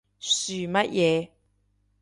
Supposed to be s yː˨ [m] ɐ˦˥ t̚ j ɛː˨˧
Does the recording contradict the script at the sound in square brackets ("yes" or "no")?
no